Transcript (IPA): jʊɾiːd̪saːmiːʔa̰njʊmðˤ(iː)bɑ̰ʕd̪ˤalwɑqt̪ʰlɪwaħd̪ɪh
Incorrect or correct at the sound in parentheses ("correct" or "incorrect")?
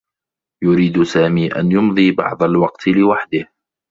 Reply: correct